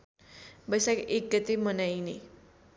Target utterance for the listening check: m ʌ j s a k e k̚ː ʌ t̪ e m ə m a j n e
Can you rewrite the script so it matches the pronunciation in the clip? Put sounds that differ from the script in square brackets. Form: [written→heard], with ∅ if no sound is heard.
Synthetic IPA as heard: [m→b] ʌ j s a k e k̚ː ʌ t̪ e m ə [m→n] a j n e